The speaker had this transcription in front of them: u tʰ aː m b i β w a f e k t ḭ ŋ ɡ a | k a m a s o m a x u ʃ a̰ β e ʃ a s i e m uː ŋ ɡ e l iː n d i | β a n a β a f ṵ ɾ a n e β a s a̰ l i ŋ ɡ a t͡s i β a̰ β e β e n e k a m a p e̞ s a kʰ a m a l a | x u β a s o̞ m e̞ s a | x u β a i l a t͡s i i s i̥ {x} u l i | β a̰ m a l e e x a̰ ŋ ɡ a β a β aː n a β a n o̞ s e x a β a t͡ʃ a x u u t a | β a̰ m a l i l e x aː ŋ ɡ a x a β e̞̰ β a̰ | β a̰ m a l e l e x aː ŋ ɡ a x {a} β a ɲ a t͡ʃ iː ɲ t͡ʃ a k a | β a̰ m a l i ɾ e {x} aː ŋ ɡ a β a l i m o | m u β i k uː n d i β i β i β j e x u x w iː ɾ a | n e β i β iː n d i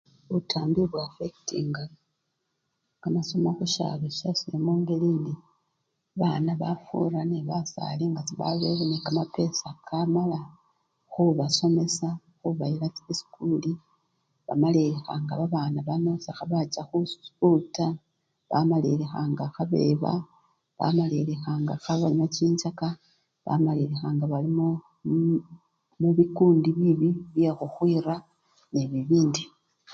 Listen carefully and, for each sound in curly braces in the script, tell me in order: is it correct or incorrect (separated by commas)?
incorrect, correct, correct